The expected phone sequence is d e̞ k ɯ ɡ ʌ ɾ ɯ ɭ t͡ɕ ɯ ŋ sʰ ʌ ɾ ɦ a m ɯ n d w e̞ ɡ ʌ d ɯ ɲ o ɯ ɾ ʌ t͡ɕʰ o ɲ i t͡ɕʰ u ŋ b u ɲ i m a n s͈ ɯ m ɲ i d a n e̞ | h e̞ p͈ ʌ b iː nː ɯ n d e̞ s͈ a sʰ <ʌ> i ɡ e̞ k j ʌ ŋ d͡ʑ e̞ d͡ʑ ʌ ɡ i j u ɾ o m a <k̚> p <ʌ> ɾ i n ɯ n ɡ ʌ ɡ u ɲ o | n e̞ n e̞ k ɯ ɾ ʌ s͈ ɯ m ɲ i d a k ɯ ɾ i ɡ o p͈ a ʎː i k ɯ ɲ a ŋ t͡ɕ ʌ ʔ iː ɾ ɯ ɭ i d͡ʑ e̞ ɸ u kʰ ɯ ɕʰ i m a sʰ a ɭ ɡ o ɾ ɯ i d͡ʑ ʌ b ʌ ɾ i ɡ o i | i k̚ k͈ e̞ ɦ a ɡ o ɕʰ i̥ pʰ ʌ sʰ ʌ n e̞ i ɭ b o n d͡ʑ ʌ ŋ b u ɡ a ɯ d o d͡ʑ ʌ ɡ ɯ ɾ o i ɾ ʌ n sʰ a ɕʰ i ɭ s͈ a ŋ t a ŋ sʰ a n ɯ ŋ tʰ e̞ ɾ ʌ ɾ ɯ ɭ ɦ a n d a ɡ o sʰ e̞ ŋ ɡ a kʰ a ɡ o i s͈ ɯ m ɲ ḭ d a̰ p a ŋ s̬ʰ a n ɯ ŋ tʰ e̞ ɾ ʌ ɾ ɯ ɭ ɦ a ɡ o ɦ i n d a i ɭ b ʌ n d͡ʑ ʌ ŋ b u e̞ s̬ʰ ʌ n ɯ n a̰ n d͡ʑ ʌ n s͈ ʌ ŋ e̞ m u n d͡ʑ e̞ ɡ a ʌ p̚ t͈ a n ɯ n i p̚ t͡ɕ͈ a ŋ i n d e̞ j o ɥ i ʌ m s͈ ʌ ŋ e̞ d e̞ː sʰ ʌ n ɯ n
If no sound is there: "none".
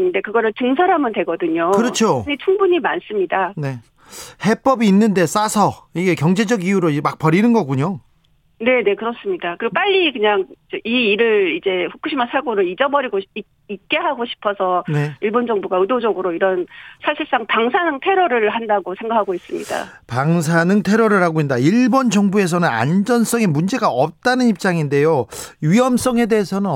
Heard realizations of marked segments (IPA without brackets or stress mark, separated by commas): ʌ, k̚, ʌ